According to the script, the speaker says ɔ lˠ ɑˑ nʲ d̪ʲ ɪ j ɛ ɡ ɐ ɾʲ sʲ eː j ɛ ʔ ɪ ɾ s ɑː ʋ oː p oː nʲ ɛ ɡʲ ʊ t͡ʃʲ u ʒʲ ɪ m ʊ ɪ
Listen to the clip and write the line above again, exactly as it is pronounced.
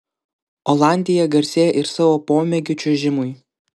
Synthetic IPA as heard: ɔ lˠ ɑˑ nʲ d̪ʲ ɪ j ɛ ɡ ɐ ɾʲ sʲ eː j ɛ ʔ ɪ ɾ s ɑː ʋ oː p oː mʲ ɛ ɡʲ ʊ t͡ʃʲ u ʒʲ ɪ m ʊ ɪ

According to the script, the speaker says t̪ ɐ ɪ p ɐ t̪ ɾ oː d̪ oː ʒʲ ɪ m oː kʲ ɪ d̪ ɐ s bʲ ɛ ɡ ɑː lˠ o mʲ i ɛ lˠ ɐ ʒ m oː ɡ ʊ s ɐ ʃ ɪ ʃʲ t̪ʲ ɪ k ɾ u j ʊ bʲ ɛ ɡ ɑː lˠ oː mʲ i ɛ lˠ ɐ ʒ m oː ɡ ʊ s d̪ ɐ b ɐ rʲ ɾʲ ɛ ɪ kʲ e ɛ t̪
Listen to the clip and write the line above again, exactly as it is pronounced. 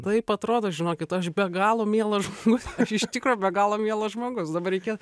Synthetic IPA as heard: t̪ ɐ ɪ p ɐ t̪ ɾ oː d̪ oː ʒʲ ɪ n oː kʲ ɪ t̪ ɐ ʃ bʲ ɛ ɡ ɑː lˠ o mʲ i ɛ lˠ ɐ ʒ m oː ɡ ʊ s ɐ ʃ ɪ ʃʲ t̪ʲ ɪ k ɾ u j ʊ bʲ ɛ ɡ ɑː lˠ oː mʲ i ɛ lˠ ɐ ʒ m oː ɡ ʊ s d̪ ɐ b ɐ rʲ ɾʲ ɛ ɪ kʲ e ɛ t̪

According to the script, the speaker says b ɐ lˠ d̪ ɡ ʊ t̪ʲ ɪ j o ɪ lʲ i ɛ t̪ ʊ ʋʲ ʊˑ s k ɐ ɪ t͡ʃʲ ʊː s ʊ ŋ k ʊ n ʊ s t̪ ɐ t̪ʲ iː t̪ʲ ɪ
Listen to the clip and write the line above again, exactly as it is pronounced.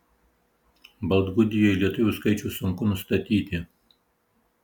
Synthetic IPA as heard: b ɐ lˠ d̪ ɡ ʊ d̪ʲ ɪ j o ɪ lʲ i ɛ t̪ ʊ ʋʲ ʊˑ s k ɐ ɪ t͡ʃʲ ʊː s ʊ ŋ k ʊ n ʊ s t̪ ɐ t̪ʲ iː t̪ʲ ɪ

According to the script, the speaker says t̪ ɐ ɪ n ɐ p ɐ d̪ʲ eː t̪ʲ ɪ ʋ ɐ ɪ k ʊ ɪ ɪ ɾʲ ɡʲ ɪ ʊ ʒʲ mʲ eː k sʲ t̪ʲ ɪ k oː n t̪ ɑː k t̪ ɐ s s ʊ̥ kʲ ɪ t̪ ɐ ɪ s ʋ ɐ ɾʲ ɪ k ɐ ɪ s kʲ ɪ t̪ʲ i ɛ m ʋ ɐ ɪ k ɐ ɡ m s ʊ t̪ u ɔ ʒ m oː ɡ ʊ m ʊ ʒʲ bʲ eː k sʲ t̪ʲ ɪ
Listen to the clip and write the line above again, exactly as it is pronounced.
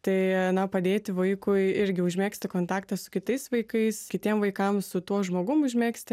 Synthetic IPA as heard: t̪ ɐ ɪ n ɐ p ɐ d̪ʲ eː t̪ʲ ɪ ʋ ɐ ɪ k ʊ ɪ ɪ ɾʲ ɡʲ ɪ ʊ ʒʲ mʲ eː k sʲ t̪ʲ ɪ k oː n t̪ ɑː k t̪ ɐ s s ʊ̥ kʲ ɪ t̪ ɐ ɪ s ʋ ɐ ɪ k ɐ ɪ s kʲ ɪ t̪ʲ i ɛ m ʋ ɐ ɪ k ɐ m s ʊ t̪ u ɔ ʒ m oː ɡ ʊ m ʊ ʒʲ mʲ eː k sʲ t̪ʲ ɪ

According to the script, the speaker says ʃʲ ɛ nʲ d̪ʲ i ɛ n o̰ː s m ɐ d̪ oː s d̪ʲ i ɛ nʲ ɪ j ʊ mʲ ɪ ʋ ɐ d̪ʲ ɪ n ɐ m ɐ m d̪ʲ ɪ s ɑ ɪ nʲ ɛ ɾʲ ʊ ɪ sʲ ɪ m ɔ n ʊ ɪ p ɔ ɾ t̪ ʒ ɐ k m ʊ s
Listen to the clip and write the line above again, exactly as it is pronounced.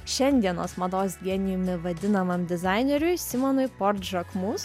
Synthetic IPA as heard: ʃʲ ɛ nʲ d̪ʲ i ɛ n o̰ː s m ɐ d̪ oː s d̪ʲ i ɛ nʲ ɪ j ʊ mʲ ɪ ʋ ɐ d̪ʲ ɪ n ɐ m ɐ m d̪ʲ ɪ z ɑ ɪ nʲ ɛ ɾʲ ʊ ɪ sʲ ɪ m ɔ n ʊ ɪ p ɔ ɾ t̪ ʒ ɐ k m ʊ s

